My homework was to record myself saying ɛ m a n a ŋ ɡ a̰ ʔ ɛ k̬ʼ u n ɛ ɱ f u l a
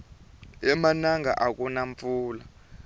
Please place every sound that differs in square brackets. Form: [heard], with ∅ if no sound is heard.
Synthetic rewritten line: ɛ m a n a ŋ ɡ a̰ ʔ [a] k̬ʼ u n [a] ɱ f [uː] l a